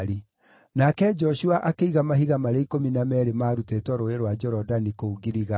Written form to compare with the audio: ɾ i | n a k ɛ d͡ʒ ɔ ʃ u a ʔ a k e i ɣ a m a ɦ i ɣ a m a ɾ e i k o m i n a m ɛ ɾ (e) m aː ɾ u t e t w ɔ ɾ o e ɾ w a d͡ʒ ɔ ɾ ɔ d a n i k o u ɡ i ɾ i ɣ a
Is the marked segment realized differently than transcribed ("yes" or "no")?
no